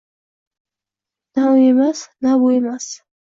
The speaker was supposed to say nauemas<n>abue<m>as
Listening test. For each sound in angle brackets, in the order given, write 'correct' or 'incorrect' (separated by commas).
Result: correct, correct